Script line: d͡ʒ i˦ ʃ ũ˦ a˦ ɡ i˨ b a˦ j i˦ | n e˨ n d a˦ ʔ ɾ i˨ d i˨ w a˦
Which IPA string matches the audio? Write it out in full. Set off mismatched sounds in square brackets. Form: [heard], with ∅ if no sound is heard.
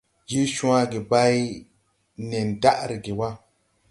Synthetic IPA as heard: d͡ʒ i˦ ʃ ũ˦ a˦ ɡ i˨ b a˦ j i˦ | n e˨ n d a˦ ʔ ɾ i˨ [ɡ] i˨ w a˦

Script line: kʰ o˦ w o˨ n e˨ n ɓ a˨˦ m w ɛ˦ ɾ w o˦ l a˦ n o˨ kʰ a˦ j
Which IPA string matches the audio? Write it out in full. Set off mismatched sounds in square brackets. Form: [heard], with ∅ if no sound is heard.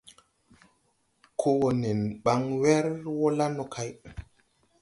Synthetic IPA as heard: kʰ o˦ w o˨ n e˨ n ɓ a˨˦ [ŋ] w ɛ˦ ɾ w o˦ l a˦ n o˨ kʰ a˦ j

